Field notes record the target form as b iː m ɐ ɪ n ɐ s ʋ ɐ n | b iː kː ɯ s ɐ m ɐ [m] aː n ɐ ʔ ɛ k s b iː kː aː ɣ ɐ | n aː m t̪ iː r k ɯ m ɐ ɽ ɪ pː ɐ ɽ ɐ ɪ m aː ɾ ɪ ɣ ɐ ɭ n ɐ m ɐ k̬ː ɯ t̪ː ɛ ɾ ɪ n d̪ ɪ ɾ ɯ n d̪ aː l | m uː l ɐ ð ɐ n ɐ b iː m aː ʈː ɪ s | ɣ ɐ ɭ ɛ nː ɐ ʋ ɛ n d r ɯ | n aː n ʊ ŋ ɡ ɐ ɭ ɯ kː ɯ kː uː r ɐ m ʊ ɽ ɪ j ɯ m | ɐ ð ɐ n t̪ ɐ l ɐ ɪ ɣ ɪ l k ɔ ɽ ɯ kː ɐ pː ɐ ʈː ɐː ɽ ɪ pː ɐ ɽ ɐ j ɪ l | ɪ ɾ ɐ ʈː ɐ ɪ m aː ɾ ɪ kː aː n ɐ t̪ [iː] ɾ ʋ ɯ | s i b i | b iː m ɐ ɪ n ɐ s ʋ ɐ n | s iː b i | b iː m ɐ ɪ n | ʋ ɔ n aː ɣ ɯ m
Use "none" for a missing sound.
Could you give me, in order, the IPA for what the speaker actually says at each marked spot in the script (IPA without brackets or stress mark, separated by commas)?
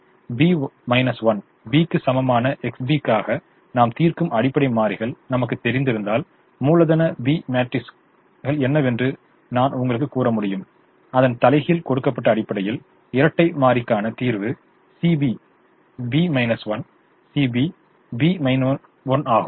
m, iː